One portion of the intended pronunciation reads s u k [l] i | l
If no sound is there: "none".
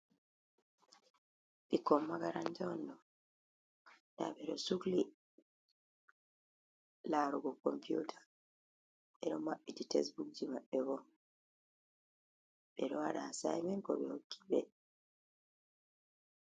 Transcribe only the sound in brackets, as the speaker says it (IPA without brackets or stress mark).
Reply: l